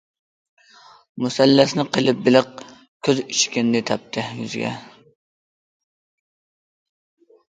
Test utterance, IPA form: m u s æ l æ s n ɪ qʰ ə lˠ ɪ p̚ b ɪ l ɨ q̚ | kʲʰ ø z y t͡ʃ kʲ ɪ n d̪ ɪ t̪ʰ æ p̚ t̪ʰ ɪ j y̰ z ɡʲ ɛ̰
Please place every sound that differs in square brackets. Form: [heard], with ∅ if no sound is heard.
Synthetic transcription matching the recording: m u s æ [lː] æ s n ɪ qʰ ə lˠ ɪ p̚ b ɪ l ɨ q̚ | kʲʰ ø z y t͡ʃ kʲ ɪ n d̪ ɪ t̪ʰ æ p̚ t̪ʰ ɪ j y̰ z ɡʲ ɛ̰